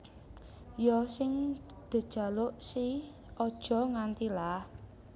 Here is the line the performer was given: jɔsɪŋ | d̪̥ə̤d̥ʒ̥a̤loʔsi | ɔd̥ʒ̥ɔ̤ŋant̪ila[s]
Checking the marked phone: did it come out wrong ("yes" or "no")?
yes